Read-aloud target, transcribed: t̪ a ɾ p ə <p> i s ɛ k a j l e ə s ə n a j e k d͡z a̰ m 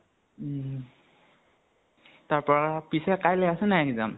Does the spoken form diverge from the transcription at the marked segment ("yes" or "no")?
no